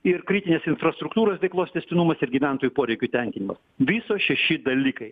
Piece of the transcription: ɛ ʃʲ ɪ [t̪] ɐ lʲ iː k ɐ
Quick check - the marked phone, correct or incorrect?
incorrect